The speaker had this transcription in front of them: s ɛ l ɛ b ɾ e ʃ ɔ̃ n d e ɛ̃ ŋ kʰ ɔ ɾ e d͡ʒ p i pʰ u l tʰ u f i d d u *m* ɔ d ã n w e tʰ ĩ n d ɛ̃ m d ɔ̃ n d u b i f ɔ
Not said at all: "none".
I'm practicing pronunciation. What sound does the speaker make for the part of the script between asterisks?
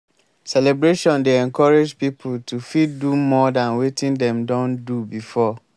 m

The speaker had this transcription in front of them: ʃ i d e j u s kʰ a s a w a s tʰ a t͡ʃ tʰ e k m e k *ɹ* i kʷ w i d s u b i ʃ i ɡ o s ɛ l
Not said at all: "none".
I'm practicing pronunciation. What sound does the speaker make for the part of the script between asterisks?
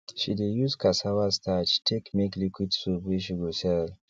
l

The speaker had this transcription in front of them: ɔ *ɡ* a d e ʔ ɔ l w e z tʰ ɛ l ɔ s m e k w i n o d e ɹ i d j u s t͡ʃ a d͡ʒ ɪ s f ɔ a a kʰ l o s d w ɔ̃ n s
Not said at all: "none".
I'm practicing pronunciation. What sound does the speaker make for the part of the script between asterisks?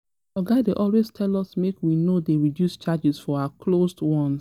ɡ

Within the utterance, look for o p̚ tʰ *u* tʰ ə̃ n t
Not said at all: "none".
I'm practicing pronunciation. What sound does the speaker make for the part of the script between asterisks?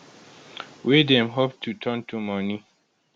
u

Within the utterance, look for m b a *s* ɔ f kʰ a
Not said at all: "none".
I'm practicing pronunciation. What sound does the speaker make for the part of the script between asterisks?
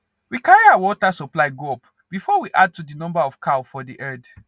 none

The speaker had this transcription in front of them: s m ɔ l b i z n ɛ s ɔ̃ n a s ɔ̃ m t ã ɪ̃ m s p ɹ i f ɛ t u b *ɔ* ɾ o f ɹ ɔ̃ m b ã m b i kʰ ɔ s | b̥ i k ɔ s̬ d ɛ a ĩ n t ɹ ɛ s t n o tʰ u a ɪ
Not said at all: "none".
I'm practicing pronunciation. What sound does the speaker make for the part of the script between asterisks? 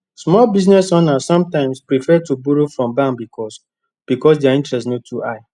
u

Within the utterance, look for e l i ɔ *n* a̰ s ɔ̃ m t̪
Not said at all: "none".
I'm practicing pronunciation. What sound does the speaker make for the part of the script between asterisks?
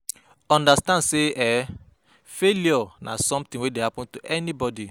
n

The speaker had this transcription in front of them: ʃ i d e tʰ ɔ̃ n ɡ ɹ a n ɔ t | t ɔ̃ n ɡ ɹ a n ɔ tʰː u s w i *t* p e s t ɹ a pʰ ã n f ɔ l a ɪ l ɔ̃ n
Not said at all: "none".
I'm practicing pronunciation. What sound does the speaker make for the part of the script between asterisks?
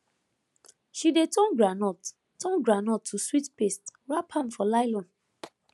t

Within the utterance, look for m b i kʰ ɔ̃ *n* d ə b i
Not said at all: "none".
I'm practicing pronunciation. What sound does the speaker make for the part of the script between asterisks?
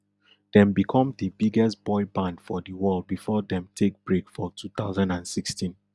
m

